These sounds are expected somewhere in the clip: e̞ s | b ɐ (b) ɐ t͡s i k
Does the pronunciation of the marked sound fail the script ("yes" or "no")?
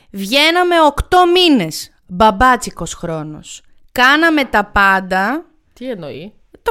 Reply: no